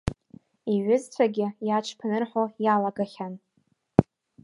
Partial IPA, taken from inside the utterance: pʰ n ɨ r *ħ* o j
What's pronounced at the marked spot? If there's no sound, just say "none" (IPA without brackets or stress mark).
ħ